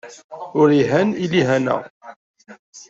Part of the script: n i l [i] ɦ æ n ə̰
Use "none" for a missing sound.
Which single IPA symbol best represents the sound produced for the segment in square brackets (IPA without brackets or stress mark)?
i